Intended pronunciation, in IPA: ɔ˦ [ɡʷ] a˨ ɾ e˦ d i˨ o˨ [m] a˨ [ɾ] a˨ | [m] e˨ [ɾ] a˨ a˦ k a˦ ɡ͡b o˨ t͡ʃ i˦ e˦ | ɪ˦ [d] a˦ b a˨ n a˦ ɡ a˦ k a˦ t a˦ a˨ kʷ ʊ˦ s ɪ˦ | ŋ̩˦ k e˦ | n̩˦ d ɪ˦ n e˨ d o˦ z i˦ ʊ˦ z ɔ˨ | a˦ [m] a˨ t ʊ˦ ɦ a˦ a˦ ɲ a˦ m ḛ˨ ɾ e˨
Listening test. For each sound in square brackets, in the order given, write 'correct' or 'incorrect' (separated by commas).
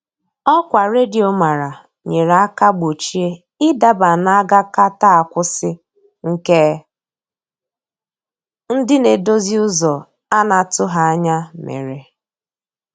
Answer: incorrect, correct, correct, incorrect, correct, correct, incorrect